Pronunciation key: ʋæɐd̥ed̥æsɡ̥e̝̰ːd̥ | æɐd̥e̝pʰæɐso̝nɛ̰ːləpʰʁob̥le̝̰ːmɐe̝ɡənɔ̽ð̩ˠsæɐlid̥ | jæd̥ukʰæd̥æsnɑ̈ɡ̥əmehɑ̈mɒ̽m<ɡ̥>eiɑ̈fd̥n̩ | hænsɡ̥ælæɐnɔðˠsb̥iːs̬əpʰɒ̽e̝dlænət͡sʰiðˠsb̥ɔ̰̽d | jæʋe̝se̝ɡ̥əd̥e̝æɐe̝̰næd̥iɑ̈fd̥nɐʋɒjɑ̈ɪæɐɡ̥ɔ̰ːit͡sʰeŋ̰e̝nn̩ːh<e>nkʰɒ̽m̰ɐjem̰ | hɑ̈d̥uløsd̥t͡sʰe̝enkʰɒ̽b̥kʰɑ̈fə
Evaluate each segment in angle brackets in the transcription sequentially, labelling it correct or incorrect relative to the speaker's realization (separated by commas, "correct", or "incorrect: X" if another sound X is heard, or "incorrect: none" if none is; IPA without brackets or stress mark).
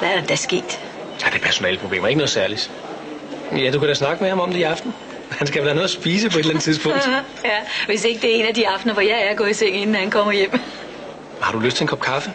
incorrect: d̥, incorrect: æ